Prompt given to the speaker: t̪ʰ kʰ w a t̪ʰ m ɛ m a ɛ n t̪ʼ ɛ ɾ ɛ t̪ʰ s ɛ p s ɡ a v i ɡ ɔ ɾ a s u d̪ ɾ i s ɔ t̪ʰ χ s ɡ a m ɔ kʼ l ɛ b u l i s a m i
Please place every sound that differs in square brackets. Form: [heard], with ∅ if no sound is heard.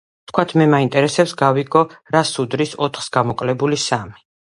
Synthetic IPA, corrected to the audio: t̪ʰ kʰ w a t̪ʰ m ɛ m a [i] n t̪ʼ ɛ ɾ ɛ [∅] s ɛ p s ɡ a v i ɡ ɔ ɾ a s u d̪ ɾ i s ɔ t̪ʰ χ s ɡ a m ɔ kʼ l ɛ b u l i s a m i